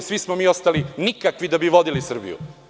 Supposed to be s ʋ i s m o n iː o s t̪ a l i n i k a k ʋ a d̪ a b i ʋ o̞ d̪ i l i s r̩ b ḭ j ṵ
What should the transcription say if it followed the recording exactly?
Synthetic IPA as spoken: s ʋ i s m o m iː o s t̪ a l i n i k a k ʋ i d̪ a b i ʋ o̞ d̪ i l i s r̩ b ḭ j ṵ